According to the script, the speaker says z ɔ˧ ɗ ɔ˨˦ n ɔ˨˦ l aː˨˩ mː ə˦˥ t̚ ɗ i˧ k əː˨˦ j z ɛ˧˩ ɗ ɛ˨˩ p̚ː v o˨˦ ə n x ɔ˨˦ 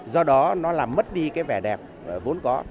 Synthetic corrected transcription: z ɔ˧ ɗ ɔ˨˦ n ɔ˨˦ l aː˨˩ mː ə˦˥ t̚ ɗ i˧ k aː˨˦ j v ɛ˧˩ ɗ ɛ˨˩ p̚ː v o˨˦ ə n k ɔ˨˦

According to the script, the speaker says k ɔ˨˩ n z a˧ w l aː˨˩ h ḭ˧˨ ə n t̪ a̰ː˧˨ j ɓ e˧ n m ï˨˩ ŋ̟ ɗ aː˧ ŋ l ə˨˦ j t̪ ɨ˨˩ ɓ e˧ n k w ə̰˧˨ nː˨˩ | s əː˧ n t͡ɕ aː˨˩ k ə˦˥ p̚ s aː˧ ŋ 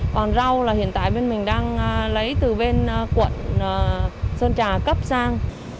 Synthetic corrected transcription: k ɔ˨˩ n z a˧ w l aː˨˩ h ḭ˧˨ ə n t̪ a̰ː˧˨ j ɓ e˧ n m ï˨˩ ŋ̟ ɗ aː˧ ŋ l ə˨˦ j t̪ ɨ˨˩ ɓ e˧ n k w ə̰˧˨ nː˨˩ | s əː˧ n t͡ɕ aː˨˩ k ə˦˥ p̚ s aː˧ ŋ

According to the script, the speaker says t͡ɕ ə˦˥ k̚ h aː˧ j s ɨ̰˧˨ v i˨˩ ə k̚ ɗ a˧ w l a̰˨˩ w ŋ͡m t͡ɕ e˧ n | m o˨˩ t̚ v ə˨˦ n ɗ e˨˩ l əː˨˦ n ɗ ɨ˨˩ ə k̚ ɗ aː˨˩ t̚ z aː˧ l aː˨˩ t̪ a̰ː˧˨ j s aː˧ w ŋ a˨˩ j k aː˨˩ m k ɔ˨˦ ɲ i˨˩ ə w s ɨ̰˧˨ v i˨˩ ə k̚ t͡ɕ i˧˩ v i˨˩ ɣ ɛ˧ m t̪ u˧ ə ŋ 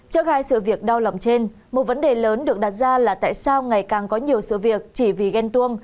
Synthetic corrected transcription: t͡ɕ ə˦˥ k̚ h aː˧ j s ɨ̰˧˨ v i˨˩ ə k̚ ɗ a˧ w l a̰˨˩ w ŋ͡m t͡ɕ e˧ n | m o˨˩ t̚ v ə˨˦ n ɗ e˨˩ l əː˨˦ n ɗ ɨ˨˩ ə k̚ ɗ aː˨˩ t̚ z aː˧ l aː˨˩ t̪ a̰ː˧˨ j s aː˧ w ŋ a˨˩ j k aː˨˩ ŋ k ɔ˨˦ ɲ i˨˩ ə w s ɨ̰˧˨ v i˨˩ ə k̚ t͡ɕ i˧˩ v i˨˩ ɣ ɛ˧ n t̪ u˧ ə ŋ

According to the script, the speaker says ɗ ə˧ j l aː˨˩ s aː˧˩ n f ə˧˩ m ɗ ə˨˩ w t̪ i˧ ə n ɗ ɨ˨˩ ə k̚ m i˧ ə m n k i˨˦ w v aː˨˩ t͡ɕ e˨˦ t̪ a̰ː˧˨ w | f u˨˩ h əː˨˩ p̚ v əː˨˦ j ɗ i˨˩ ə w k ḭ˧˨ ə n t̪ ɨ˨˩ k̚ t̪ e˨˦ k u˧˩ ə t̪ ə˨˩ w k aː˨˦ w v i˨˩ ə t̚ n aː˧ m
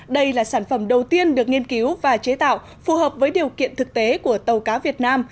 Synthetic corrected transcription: ɗ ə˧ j l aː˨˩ s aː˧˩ n f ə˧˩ m ɗ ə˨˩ w t̪ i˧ ə n ɗ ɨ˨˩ ə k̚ ŋ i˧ ə n k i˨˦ w v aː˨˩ t͡ɕ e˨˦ t̪ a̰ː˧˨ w | f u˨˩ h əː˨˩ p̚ v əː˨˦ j ɗ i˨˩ ə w k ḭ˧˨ ə n t̪ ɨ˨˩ k̚ t̪ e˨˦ k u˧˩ ə t̪ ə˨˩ w k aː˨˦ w v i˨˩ ə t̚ n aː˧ m

